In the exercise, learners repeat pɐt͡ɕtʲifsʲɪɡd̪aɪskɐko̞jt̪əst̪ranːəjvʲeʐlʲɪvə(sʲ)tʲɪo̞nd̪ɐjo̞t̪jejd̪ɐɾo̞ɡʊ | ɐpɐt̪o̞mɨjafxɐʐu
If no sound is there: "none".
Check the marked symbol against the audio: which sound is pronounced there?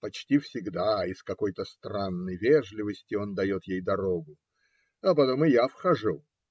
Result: sʲ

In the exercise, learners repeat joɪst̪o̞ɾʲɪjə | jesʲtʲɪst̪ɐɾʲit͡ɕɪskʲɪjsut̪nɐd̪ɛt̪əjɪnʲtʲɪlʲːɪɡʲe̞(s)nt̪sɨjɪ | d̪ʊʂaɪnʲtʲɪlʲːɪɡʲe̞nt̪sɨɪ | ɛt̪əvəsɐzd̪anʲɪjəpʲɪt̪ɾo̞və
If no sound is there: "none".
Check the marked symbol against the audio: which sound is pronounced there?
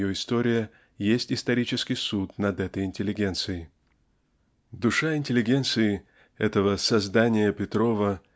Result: none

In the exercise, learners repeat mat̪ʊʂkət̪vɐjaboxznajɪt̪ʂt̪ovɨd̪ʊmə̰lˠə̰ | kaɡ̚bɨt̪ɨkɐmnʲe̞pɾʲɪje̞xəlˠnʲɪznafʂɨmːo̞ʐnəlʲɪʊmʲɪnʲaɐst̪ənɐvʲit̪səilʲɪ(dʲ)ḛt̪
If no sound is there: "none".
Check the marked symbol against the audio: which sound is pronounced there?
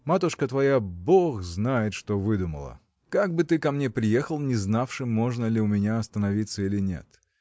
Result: nʲ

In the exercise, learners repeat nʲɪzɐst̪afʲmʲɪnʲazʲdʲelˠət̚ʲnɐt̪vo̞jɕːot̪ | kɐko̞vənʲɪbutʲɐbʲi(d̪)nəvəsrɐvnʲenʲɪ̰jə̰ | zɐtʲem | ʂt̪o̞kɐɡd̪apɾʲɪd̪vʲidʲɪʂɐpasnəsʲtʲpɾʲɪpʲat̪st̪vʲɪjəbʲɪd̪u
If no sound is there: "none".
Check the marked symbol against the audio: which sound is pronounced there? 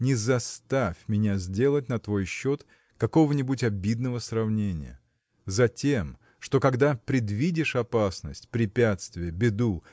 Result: d̪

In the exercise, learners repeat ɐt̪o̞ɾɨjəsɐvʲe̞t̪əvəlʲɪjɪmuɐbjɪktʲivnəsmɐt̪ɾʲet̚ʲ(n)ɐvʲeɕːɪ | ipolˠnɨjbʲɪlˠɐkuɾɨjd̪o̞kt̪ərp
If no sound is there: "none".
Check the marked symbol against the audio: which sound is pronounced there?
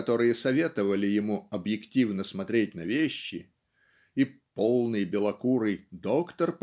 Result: n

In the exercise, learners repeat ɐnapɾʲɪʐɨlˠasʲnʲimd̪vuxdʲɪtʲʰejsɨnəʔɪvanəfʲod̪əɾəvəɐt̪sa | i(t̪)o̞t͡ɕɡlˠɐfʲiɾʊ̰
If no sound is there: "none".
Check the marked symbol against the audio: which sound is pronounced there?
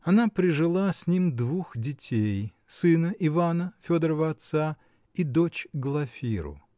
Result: d̪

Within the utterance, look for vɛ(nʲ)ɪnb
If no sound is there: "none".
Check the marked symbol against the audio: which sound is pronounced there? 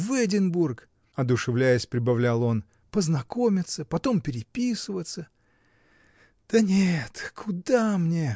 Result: dʲ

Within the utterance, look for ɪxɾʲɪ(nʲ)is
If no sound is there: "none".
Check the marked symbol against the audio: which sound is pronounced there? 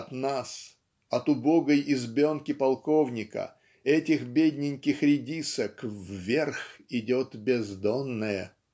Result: dʲ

